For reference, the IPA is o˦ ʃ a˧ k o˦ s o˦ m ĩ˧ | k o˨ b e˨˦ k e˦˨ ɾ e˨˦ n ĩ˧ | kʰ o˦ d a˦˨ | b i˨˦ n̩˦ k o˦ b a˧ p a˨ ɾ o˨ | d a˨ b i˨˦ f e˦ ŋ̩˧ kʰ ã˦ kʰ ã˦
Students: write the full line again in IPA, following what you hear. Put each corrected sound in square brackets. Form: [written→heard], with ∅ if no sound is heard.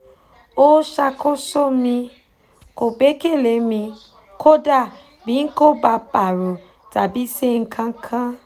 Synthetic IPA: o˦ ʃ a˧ k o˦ s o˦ m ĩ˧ | k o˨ b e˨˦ k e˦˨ [ɾ→l] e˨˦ [n→m] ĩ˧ | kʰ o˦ d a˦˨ | b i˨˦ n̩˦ k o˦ b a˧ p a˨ ɾ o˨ | [d→t] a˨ b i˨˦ [f→s] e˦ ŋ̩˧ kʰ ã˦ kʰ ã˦